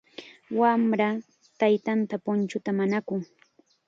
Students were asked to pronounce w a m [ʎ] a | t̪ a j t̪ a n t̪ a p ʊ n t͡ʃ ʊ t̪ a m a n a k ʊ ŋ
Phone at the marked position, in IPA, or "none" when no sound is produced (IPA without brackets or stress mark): ɾ